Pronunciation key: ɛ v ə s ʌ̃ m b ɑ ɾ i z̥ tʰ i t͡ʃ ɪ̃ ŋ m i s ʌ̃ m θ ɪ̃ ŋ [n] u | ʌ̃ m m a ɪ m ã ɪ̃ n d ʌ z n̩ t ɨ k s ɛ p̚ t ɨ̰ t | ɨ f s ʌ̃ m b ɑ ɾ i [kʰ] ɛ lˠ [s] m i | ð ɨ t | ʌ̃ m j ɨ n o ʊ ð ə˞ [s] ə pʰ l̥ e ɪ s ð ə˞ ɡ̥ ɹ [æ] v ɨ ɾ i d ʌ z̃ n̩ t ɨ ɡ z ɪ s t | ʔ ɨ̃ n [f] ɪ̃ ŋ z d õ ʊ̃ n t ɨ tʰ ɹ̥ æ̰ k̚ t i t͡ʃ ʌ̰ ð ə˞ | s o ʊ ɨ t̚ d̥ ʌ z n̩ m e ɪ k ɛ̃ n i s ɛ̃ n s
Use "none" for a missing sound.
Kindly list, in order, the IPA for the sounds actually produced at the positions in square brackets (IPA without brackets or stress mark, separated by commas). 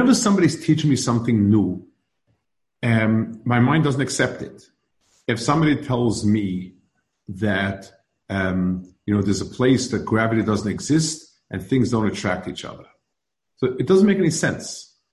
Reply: n, tʰ, z, z, æ, θ